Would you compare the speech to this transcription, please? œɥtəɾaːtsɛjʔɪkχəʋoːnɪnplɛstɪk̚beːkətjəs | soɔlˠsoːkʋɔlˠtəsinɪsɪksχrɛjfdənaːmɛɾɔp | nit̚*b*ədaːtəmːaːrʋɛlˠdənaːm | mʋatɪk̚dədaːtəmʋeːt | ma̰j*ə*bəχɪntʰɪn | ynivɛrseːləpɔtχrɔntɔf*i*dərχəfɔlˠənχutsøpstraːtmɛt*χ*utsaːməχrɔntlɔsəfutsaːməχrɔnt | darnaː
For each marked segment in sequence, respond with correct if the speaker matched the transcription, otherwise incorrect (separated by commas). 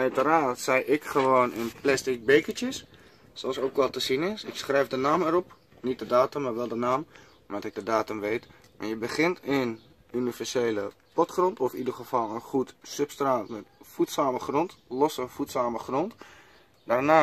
incorrect, correct, correct, incorrect